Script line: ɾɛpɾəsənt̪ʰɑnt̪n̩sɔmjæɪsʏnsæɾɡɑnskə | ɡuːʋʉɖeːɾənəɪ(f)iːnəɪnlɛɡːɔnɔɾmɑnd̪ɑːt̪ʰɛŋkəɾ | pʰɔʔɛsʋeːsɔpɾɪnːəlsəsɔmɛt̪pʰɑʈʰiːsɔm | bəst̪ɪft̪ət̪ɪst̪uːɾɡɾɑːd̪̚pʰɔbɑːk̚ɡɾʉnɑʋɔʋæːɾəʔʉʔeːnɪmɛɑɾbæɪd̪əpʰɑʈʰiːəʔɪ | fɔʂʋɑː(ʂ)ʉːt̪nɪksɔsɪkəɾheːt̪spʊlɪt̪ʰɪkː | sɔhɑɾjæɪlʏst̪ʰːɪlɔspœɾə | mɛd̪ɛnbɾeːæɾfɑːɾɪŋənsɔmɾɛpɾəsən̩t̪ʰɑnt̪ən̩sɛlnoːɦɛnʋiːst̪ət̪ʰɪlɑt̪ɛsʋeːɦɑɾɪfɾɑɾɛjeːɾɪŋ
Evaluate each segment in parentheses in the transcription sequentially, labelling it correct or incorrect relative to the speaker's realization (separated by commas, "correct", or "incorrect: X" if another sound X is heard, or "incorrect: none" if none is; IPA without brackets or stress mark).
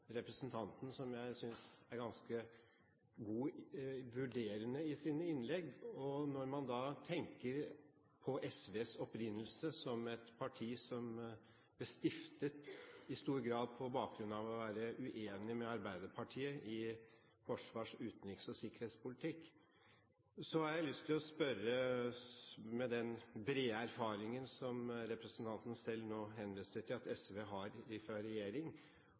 incorrect: s, correct